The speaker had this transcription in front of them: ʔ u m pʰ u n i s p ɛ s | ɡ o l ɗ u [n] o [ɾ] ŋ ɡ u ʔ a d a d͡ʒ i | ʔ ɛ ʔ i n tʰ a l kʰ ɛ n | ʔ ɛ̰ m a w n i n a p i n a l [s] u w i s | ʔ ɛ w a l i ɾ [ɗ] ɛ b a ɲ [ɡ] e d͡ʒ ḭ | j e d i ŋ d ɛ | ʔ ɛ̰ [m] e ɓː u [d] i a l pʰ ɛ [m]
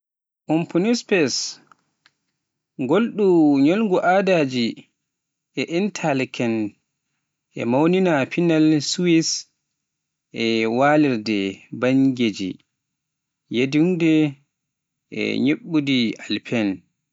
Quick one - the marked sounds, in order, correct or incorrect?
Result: incorrect: ɲ, incorrect: l, correct, incorrect: d, correct, incorrect: ɲ, correct, incorrect: n

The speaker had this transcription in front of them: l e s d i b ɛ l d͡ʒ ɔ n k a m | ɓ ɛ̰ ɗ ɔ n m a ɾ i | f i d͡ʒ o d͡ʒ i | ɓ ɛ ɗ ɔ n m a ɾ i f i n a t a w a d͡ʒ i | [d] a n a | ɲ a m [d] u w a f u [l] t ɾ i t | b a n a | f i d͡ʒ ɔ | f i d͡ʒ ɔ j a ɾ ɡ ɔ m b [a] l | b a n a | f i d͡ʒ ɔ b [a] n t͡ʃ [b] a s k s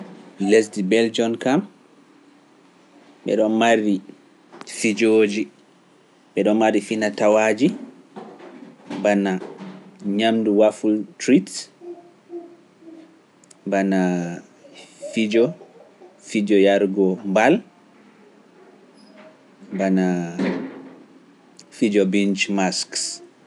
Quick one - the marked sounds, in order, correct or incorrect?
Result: incorrect: b, correct, correct, correct, incorrect: i, incorrect: m

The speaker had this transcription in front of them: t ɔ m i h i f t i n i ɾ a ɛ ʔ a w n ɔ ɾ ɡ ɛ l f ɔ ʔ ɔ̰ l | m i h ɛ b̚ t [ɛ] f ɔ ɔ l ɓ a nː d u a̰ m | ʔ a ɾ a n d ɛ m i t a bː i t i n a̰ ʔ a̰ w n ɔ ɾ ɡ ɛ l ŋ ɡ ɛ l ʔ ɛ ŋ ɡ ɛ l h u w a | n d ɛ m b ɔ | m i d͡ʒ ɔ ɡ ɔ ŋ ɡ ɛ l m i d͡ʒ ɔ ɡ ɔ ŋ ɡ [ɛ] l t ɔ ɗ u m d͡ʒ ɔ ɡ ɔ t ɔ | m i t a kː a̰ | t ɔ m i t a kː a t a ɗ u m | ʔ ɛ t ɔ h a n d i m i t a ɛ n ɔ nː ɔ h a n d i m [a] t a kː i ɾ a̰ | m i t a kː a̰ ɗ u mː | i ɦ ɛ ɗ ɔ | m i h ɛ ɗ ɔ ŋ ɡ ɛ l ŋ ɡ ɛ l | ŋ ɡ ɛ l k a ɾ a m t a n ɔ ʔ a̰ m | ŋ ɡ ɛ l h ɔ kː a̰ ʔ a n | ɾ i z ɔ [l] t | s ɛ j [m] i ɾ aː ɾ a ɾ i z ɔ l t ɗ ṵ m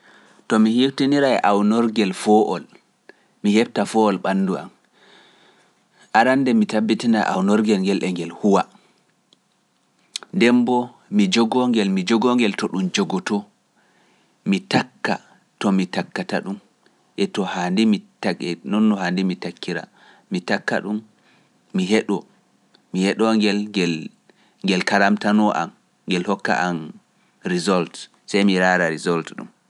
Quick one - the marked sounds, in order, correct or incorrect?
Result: incorrect: a, correct, incorrect: i, correct, correct

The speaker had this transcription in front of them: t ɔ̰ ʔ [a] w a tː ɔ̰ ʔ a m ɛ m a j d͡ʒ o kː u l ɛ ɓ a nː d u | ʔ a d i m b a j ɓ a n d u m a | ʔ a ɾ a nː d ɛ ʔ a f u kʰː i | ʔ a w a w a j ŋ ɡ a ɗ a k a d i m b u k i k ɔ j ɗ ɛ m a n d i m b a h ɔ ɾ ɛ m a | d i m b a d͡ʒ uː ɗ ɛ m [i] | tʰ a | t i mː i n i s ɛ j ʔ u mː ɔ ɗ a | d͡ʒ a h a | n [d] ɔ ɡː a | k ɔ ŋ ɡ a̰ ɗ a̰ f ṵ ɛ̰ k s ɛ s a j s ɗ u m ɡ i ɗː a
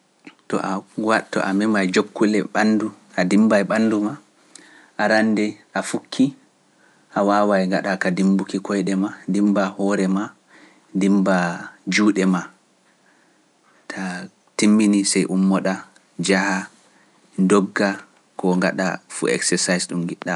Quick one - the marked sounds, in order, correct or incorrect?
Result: correct, incorrect: a, correct

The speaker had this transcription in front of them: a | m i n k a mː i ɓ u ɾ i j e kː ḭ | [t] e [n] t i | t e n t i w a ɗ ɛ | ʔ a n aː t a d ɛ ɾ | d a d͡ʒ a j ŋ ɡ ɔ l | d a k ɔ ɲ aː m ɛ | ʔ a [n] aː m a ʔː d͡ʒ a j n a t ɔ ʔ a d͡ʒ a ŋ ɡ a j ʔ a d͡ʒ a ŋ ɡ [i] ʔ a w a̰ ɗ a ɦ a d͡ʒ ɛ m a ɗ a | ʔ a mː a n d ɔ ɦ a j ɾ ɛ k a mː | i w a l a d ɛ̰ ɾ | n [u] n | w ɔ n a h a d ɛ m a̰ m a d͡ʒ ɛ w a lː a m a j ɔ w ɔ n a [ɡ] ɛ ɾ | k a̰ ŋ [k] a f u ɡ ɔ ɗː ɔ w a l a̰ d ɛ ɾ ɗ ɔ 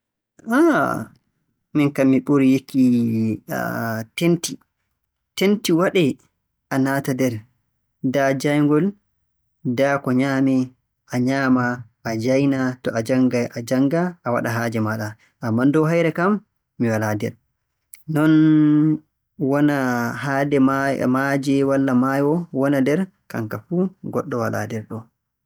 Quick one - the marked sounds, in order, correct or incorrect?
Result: correct, correct, incorrect: ɲ, incorrect: a, incorrect: ɔ, incorrect: d, correct

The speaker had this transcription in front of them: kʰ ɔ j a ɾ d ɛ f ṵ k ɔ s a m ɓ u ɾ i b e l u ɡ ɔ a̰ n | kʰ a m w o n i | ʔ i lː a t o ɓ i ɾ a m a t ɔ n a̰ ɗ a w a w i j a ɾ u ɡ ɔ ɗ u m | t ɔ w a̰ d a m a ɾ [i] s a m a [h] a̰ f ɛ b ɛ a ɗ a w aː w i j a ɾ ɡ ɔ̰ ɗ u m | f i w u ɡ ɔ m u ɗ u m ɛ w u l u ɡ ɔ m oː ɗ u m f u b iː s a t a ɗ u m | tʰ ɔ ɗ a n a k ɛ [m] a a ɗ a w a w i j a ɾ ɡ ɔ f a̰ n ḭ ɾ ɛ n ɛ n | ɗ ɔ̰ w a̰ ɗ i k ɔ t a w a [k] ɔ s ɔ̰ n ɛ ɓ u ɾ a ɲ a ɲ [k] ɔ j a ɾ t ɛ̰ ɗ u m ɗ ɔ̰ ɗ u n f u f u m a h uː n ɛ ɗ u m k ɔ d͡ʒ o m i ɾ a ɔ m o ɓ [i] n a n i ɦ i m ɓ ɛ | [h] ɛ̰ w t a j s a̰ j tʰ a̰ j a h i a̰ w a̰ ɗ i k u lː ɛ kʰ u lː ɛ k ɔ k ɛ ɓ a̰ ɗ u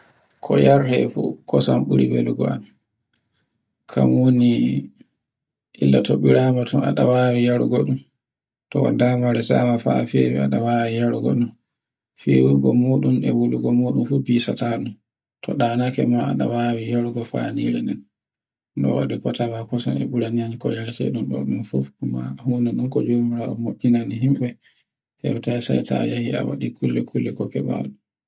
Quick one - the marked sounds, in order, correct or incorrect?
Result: incorrect: ɛ, incorrect: f, correct, correct, correct, correct, correct

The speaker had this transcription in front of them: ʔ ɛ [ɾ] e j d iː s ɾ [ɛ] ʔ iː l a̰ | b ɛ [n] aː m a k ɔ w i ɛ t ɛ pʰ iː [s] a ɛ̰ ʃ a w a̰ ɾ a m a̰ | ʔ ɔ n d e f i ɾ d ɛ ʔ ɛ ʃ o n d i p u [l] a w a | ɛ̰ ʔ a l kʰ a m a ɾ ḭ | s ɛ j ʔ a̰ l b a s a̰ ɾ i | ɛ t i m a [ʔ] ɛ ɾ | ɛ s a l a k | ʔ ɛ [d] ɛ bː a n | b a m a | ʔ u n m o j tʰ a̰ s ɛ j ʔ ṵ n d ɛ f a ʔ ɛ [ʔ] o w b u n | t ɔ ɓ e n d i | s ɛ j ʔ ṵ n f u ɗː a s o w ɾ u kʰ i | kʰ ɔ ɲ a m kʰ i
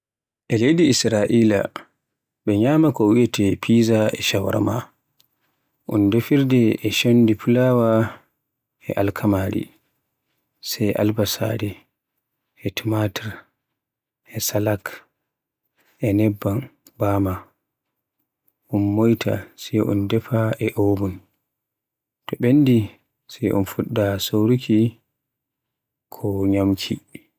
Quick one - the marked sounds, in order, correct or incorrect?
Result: incorrect: l, incorrect: a, incorrect: ɲ, incorrect: z, correct, incorrect: t, incorrect: n, correct

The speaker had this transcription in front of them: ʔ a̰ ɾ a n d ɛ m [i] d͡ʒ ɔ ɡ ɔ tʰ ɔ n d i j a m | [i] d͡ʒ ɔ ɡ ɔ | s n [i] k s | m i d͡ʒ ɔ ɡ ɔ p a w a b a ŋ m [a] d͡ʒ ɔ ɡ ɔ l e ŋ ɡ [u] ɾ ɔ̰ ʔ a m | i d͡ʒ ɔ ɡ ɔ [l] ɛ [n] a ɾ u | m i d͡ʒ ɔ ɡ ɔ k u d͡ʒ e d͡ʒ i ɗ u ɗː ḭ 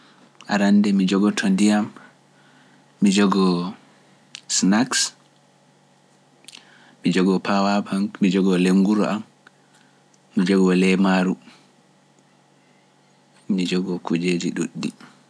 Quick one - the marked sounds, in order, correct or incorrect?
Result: correct, correct, incorrect: a, incorrect: i, correct, correct, incorrect: m

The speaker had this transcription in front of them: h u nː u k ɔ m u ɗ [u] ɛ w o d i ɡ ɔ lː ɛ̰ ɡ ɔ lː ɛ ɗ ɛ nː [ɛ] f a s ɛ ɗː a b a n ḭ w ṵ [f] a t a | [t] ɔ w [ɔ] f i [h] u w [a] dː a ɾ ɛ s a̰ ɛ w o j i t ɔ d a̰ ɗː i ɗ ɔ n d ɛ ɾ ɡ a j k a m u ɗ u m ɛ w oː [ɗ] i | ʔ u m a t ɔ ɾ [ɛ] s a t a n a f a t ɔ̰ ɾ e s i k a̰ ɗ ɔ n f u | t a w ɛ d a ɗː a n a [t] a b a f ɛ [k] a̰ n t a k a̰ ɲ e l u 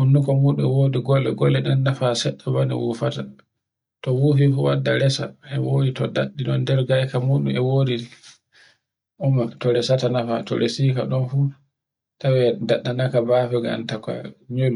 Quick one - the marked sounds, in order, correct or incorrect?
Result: correct, incorrect: a, correct, correct, incorrect: u, incorrect: f, correct, incorrect: d, correct, incorrect: k, incorrect: ɡ

